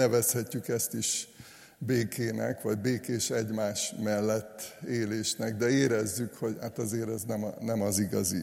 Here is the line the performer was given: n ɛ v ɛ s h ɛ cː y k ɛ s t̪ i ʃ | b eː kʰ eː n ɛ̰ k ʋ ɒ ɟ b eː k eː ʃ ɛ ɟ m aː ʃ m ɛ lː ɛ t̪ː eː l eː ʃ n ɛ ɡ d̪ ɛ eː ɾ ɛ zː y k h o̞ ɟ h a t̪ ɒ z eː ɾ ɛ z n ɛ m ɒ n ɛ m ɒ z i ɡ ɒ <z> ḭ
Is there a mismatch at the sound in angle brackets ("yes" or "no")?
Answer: no